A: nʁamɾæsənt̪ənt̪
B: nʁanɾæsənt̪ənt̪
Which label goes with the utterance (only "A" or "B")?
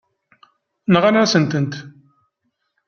B